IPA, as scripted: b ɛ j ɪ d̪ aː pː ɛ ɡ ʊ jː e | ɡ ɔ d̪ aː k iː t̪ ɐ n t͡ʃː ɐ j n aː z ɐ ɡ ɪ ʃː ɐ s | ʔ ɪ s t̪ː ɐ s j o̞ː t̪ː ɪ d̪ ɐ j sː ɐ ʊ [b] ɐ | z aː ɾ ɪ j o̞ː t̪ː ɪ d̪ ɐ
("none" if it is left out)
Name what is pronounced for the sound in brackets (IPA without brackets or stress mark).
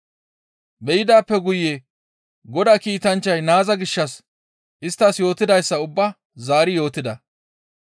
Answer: bː